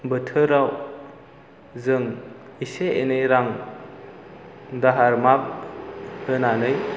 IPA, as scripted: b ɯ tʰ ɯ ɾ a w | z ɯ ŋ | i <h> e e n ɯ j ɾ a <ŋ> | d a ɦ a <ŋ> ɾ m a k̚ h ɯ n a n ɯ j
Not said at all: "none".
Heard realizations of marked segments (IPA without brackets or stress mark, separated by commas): s, ŋ, none